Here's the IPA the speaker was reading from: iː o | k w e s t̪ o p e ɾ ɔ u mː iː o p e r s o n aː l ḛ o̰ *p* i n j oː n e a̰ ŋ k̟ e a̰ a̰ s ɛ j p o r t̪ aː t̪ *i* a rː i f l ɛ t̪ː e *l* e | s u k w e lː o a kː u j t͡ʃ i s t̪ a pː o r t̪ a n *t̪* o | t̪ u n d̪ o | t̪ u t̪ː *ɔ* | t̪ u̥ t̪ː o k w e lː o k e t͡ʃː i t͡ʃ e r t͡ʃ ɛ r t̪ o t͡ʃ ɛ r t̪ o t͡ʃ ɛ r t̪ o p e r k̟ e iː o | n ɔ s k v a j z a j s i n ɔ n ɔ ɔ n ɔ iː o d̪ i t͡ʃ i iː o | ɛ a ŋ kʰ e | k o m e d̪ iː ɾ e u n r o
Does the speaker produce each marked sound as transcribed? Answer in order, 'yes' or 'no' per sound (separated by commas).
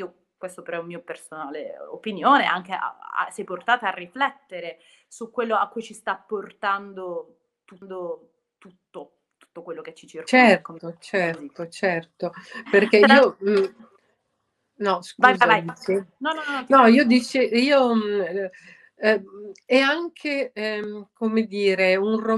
yes, no, no, no, no